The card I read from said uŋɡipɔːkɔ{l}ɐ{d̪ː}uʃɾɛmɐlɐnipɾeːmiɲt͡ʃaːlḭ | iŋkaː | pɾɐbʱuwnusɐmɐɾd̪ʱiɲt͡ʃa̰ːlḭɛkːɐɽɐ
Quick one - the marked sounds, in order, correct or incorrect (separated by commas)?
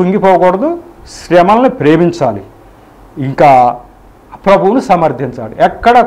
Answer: incorrect, incorrect